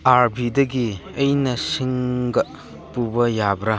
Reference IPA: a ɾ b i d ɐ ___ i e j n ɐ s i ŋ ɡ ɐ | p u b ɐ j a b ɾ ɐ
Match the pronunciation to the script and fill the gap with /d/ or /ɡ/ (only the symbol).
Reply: ɡ